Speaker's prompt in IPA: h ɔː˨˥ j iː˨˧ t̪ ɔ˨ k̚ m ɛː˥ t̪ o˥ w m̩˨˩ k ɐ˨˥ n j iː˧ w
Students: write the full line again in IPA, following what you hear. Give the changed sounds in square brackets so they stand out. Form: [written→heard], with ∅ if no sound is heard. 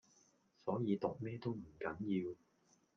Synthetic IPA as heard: [h→s] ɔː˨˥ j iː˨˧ t̪ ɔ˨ k̚ m ɛː˥ t̪ o˥ w m̩˨˩ k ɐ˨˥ n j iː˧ w